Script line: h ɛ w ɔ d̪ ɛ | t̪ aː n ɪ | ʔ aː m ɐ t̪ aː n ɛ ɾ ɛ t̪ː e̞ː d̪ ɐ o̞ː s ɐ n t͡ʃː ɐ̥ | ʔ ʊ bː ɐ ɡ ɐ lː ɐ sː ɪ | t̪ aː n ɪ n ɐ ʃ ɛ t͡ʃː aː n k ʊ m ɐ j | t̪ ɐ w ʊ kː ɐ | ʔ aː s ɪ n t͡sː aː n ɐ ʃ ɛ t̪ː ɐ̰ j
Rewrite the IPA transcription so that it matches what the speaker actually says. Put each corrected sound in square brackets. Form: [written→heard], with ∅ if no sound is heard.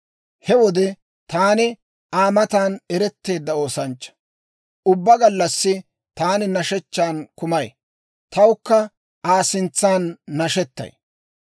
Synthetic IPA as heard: h ɛ w ɔ d̪ ɛ | t̪ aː n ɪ | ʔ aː m ɐ t̪ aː n ɛ ɾ ɛ t̪ː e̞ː [d̪→d̪ː] ɐ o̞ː s ɐ n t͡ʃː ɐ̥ | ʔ ʊ bː ɐ ɡ ɐ lː ɐ sː ɪ | t̪ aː n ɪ n ɐ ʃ ɛ t͡ʃː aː n k ʊ m ɐ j | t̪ ɐ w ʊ kː ɐ | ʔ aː s ɪ n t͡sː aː [n→nː] ɐ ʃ ɛ t̪ː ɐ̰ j